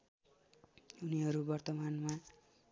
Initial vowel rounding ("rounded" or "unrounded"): rounded